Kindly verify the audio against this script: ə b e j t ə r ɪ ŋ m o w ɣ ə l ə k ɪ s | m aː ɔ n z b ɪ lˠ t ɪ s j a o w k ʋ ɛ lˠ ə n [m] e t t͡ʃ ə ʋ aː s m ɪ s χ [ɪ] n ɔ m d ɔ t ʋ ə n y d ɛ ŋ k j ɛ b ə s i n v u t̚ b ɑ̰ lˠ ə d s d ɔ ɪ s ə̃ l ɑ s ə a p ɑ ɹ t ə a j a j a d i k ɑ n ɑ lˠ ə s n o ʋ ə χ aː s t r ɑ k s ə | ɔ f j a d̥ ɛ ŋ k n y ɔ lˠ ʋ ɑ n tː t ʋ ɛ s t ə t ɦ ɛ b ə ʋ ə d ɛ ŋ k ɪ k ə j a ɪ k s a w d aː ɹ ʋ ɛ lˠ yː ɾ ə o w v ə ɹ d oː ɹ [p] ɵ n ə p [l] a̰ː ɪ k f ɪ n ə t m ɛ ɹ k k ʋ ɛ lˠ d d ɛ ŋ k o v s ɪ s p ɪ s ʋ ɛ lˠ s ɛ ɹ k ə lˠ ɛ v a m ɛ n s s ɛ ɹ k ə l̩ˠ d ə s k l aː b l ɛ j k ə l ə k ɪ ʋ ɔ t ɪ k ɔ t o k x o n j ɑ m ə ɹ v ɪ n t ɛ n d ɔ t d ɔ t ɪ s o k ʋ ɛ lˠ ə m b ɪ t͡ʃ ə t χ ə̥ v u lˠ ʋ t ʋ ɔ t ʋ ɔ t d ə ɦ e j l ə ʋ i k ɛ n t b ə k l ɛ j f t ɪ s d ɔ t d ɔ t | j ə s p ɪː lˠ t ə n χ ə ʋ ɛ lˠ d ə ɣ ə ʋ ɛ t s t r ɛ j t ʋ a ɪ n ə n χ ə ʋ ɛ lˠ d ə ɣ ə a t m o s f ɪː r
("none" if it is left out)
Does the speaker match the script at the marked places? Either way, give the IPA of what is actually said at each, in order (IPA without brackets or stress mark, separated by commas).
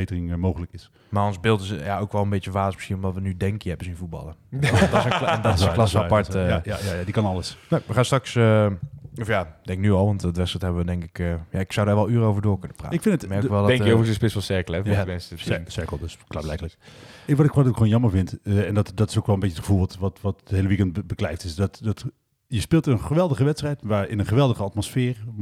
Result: b, i, k, r